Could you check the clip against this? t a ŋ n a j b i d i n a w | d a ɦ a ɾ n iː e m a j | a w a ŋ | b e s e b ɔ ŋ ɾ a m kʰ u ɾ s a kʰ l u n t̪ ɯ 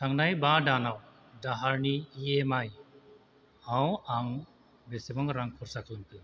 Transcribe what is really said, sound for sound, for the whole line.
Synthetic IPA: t a ŋ n a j b a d a n a w | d a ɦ a ɾ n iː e m a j | a w a ŋ | b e s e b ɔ ŋ ɾ a ŋ kʰ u ɾ s a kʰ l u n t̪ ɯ